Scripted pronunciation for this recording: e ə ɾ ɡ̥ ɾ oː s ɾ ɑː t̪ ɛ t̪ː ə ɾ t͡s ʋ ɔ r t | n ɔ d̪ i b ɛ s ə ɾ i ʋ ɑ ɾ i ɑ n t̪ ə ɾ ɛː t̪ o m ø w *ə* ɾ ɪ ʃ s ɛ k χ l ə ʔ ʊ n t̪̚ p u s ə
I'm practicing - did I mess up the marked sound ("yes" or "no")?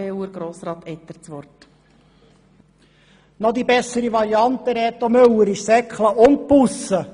no